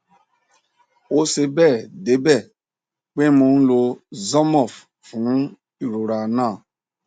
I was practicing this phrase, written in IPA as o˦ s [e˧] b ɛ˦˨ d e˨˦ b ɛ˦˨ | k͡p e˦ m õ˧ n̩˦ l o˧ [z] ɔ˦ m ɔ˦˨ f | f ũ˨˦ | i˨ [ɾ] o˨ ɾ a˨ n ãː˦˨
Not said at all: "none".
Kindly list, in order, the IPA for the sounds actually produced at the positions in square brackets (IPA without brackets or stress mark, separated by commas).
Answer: e˧, z, ɾ